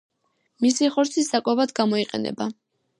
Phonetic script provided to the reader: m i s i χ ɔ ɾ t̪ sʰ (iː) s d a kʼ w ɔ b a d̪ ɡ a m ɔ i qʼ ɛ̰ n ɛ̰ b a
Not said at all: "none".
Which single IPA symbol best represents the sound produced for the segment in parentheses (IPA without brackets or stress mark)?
i